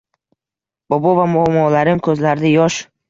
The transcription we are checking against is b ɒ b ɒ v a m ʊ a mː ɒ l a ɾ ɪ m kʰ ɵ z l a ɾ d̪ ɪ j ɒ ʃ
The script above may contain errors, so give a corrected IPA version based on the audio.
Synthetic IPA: b ɒ b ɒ v a m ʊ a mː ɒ l a ɾ ɪ m kʰ ɵ z l a ɾ d̪ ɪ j ɒ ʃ

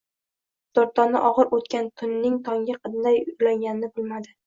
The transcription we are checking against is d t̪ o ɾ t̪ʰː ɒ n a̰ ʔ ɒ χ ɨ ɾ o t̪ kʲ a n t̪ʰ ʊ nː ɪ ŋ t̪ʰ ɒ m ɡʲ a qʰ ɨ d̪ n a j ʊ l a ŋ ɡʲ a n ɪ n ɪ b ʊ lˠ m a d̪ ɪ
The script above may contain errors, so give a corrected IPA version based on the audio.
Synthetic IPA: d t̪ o ɾ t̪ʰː ɒ n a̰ ʔ ɒ ʁ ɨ ɾ o t̪ kʲ a n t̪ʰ ʊ nː ɪ ŋ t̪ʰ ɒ ŋ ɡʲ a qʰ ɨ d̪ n a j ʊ l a ŋ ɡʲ a n ɪ n ɪ b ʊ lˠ m a d̪ ɪ

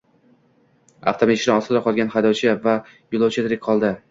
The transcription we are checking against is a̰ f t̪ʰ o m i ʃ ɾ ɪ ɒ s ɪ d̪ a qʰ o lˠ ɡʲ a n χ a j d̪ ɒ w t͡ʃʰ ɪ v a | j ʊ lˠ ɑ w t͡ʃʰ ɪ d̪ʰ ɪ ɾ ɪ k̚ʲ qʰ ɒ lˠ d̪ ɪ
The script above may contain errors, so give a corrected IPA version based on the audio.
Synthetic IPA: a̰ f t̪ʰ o m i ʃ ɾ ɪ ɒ s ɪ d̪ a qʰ ɒ lˠ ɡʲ a n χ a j d̪ ɒ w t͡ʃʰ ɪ v a | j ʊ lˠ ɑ w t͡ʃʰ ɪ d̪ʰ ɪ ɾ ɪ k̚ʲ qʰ ɒ lˠ d̪ ɪ

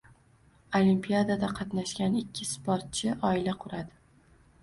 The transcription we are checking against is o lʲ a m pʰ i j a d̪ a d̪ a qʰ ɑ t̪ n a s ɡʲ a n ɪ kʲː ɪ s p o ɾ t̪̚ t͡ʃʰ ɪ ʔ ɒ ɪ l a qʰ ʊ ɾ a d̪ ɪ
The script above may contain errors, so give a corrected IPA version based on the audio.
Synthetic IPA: o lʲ i m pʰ i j a d̪ a d̪ a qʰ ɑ t̪ n a ʃ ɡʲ a n ɪ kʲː ɪ s p o ɾ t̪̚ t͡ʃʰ ɪ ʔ ɒ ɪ l a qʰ ʊ ɾ a d̪ ɪ

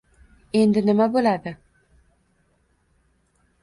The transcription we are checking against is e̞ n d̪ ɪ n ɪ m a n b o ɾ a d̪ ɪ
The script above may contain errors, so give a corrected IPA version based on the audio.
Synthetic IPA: e̞ n d̪ ɪ n ɪ m a b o l a d̪ ɪ

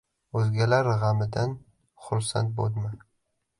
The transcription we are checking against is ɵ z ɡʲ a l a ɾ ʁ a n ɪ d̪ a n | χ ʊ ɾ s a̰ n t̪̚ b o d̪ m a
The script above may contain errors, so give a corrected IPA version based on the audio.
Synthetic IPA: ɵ z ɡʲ a l a ɾ ʁ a m ɪ d̪ a n | χ ʊ ɾ s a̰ n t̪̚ b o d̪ m a

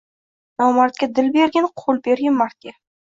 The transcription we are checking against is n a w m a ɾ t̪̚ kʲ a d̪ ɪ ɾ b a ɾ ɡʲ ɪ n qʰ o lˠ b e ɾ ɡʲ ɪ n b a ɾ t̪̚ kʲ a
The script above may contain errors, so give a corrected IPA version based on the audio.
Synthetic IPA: n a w m a ɾ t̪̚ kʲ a d̪ ɪ l b e ɾ ɡʲ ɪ n qʰ o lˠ b e ɾ ɡʲ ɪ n m a ɾ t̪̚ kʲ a

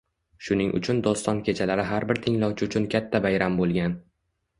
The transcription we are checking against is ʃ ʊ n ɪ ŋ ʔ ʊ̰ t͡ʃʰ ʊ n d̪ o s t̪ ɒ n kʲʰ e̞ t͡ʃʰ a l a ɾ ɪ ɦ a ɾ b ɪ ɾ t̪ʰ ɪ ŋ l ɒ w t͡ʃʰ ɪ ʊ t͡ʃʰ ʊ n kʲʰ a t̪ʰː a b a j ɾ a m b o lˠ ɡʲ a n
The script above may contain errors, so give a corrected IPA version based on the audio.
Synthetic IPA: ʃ ʊ n ɪ ŋ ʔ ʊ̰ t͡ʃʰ ʊ n d̪ ɒ s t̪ ɒ n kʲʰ e̞ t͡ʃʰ a l a ɾ ɪ ɦ a ɾ b ɪ ɾ t̪ʰ ɪ ŋ l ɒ w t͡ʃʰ ɪ ʊ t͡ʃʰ ʊ n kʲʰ a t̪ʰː a b a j ɾ a m b o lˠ ɡʲ a n

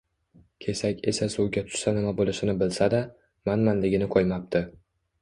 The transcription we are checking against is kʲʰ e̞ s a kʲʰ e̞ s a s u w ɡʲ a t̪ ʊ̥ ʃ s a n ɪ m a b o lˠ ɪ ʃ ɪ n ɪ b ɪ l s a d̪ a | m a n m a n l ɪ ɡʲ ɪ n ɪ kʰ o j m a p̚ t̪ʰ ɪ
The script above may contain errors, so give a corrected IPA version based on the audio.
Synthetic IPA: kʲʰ e̞ s a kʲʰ e̞ s a s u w ɡʲ a t̪ʰ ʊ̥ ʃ s a n ɪ m a b o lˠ ɪ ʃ ɪ n ɪ b ɪ l s a d̪ a | m a n m a n l ɪ ɡʲ ɪ n ɪ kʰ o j m a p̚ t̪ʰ ɪ

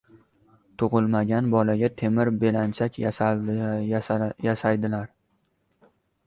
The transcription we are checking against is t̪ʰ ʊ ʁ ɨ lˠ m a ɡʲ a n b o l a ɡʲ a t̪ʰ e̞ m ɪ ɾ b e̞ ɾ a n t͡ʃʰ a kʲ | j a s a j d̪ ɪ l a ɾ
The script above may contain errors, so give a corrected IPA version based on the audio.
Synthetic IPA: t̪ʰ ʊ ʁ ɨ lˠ m a ɡʲ a n b ɒ l a ɡʲ a t̪ʰ e̞ m ɪ ɾ b e̞ l a n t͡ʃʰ a kʲ | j a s a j d̪ ɪ l a ɾ

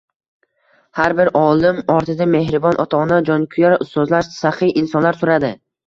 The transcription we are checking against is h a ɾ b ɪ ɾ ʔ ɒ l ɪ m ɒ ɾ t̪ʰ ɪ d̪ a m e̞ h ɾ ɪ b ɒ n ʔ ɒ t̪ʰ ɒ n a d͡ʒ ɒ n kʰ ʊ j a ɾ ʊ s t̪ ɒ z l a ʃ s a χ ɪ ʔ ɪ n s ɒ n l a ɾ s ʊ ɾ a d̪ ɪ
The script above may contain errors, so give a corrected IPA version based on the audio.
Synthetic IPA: h a ɾ b ɪ ɾ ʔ ɒ l ɪ m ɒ ɾ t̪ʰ ɪ d̪ a m e̞ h ɾ ɪ b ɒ n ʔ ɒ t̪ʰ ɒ n a d͡ʒ ɒ n kʰ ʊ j a ɾ ʊ s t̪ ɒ z l a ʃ s a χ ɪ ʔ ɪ n s ɒ n l a ɾ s ʊ ɾ a d̪ ɪ

